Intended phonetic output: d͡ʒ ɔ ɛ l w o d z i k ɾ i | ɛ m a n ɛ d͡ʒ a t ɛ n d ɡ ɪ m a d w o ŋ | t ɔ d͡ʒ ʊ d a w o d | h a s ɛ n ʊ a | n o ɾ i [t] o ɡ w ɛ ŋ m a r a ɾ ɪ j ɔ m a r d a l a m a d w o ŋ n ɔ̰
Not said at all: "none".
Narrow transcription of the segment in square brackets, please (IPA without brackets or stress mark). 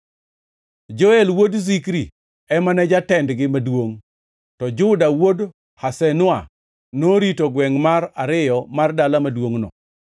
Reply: t